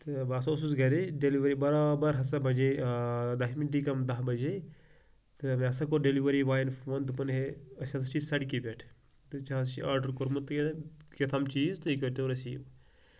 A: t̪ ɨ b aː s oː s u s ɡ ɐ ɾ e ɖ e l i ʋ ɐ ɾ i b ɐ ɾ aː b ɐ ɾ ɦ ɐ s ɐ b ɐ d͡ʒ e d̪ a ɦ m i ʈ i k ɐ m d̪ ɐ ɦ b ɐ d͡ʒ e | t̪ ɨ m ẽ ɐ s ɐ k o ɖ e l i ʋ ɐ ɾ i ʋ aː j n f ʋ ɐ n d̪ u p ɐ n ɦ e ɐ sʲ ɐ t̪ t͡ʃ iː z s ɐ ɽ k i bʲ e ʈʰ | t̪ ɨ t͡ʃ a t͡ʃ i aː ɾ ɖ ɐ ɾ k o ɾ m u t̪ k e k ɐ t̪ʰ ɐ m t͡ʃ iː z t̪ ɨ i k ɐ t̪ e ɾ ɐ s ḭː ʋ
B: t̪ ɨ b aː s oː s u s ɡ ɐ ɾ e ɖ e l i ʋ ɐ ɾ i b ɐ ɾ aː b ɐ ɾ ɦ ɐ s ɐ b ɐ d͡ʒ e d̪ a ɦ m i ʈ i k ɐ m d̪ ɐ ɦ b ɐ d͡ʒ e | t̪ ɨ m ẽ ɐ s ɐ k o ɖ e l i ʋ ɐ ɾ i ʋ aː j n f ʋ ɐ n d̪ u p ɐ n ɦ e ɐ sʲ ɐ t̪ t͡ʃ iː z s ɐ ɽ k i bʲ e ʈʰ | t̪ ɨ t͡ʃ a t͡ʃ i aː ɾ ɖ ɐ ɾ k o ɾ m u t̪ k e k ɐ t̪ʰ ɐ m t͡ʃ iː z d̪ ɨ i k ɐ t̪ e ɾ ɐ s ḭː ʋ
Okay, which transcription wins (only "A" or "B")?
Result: A